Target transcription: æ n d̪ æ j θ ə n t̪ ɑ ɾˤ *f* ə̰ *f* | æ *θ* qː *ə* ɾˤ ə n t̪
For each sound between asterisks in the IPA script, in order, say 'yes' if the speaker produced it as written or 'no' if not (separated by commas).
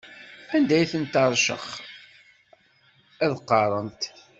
no, no, no, no